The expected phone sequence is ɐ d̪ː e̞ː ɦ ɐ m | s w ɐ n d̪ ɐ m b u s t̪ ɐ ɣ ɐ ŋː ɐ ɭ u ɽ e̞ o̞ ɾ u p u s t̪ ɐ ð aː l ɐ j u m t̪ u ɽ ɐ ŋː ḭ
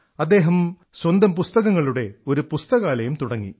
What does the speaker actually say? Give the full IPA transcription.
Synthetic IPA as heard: ɐ d̪ː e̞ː ɦ ɐ m | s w ɐ n d̪ ɐ m p u s t̪ ɐ ɣ ɐ ŋː ɐ ɭ u ɽ e̞ o̞ ɾ u p u s t̪ ɐ ɣ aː l ɐ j u m t̪ u ɽ ɐ ŋː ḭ